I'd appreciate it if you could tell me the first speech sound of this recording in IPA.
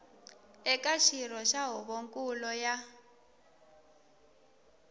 ɛ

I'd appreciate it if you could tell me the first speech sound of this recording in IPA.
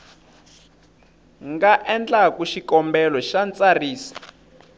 ŋ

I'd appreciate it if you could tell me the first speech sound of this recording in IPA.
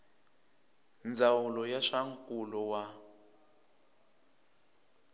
n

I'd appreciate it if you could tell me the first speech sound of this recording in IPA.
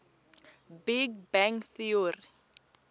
b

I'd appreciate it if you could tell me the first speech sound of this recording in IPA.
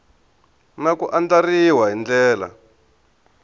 n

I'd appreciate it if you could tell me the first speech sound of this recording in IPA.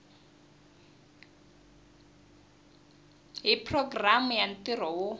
ɦ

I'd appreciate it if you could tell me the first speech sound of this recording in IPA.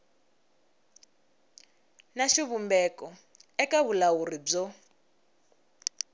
n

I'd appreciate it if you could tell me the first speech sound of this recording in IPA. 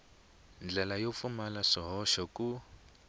n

